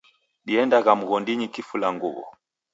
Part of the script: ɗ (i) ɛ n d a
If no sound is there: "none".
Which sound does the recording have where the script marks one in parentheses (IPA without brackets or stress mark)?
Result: i